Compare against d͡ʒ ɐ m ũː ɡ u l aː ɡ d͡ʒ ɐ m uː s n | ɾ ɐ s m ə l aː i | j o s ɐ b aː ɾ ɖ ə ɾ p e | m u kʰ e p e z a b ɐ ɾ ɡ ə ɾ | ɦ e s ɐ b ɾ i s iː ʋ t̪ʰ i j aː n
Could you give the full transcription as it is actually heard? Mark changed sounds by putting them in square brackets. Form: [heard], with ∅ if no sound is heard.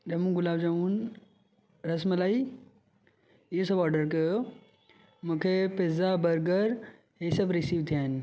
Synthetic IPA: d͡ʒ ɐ m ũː ɡ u l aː [b] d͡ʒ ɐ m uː [∅] n | ɾ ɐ s m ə l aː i | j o s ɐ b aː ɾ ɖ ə ɾ [k] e | m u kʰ e p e z a b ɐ ɾ ɡ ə ɾ | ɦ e s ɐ b ɾ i s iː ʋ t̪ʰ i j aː n

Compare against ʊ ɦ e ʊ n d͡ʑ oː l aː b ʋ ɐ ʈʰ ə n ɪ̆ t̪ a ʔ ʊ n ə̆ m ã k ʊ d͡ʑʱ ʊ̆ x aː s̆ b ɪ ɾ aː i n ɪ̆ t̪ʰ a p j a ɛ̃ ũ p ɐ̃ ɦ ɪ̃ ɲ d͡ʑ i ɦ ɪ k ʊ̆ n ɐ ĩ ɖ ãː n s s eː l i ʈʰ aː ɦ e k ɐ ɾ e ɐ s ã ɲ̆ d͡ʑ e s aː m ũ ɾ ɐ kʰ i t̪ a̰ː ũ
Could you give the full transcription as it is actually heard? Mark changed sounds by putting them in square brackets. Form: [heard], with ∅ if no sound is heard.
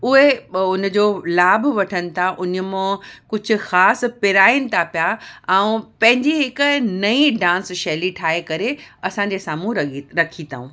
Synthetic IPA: ʊ ɦ e ʊ n d͡ʑ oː l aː b ʋ ɐ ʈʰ ə n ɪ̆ [t̪ʰ] a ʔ ʊ n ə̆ m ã k ʊ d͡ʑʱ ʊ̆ x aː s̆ [p] ɪ ɾ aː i n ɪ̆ t̪ʰ a p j a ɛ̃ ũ p ɐ̃ ɦ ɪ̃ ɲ d͡ʑ i ɦ ɪ k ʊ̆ n ɐ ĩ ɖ ãː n s [ʃ] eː l i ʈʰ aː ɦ e k ɐ ɾ e ɐ s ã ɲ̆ d͡ʑ e s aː m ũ ɾ ɐ kʰ i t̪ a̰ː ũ

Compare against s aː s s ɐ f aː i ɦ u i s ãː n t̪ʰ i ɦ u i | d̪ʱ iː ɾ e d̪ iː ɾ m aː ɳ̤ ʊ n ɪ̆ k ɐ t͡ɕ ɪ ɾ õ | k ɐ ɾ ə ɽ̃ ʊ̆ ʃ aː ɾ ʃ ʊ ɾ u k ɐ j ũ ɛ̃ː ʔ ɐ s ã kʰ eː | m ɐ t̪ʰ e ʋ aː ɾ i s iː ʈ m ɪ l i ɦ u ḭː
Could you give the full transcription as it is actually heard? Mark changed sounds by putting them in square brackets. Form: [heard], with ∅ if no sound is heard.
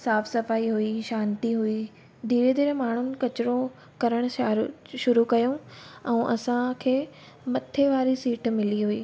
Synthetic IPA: s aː [f] s ɐ f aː i ɦ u i [ʃ] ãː n [t̪] i ɦ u i | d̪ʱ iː ɾ e d̪ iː ɾ m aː ɳ̤ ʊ n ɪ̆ k ɐ t͡ɕ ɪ ɾ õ | k ɐ ɾ ə ɽ̃ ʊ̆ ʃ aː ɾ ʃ ʊ ɾ u k ɐ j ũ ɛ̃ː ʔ ɐ s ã kʰ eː | m ɐ t̪ʰ e ʋ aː ɾ i s iː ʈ m ɪ l i ɦ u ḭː

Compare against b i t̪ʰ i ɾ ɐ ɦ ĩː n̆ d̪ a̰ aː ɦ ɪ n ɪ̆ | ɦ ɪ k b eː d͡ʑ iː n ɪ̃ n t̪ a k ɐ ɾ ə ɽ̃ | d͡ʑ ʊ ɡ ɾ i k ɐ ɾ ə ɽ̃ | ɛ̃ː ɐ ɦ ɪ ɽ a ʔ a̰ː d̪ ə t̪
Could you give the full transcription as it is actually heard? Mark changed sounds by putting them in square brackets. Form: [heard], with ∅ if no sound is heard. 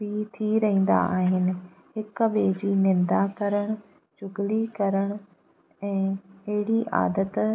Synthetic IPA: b i t̪ʰ i ɾ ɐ ɦ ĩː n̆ d̪ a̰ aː ɦ ɪ n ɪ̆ | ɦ ɪ k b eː d͡ʑ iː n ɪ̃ n [d̪] a k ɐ ɾ ə ɽ̃ | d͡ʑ ʊ ɡ [l] i k ɐ ɾ ə ɽ̃ | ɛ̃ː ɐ ɦ ɪ ɽ [i] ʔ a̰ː d̪ ə t̪

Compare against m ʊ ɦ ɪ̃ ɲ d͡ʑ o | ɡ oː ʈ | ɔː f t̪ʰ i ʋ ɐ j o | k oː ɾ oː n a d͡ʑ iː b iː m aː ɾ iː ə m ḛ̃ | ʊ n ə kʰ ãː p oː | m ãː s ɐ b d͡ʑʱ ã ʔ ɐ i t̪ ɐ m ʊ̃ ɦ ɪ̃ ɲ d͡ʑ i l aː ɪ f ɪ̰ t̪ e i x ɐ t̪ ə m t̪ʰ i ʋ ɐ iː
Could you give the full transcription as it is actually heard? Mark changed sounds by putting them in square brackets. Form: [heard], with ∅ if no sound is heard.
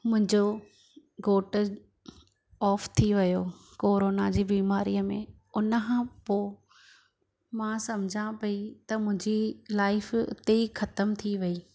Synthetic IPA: m [ʊ̃] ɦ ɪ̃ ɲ d͡ʑ o | ɡ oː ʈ | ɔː f t̪ʰ i ʋ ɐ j o | k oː ɾ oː n a d͡ʑ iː b iː m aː ɾ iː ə m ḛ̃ | ʊ n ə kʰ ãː p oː | m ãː s ɐ [m] d͡ʑʱ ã [p] ɐ i t̪ ɐ m ʊ̃ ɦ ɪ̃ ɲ d͡ʑ i l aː ɪ f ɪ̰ t̪ e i x ɐ t̪ ə m t̪ʰ i ʋ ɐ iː

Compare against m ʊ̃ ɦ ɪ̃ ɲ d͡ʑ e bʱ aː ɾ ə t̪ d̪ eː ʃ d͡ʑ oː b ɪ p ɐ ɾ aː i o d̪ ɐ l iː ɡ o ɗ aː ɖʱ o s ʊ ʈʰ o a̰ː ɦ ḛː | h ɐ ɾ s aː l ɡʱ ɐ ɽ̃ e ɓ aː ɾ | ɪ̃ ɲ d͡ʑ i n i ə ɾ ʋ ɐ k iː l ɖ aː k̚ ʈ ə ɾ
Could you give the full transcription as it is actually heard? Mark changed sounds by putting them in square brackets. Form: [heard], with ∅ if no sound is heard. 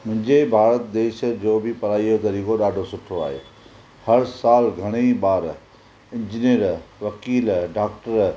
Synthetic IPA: m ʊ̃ ɦ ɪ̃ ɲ d͡ʑ e bʱ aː ɾ ə t̪ d̪ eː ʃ d͡ʑ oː b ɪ p ɐ ɾ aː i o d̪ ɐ [ɾ] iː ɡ o ɗ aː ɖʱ o s ʊ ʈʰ o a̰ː ɦ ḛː | h ɐ ɾ s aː l ɡʱ ɐ ɽ̃ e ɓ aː ɾ | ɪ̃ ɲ d͡ʑ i n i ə ɾ ʋ ɐ k iː l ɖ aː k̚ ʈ ə ɾ

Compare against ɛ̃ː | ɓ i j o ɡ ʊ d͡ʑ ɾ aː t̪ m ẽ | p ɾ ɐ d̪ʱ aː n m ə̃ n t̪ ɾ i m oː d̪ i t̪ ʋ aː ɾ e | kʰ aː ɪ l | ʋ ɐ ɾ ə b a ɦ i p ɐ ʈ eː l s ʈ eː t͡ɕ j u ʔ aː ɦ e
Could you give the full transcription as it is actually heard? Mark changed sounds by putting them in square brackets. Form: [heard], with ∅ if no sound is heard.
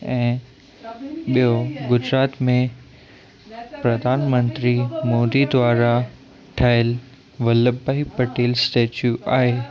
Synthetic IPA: ɛ̃ː | ɓ i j o ɡ ʊ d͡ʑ ɾ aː t̪ m ẽ | p ɾ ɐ d̪ʱ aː n m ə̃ n t̪ ɾ i m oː d̪ i [d̪] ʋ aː ɾ [a] | [ʈʰ] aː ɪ l | ʋ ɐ [l] ə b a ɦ i p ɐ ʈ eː l s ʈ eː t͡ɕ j u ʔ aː ɦ e

